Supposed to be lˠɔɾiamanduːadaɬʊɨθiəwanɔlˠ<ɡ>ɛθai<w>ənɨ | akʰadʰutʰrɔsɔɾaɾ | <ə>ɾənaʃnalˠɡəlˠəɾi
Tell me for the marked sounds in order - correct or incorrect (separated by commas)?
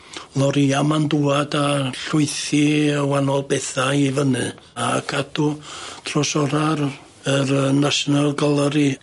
incorrect, incorrect, correct